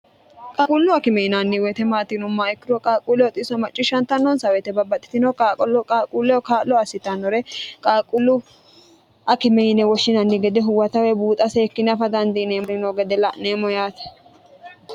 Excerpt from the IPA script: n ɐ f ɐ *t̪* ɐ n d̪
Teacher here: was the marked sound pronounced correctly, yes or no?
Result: no